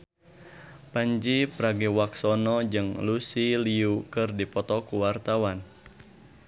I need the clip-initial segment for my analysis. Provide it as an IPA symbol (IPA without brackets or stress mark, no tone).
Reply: p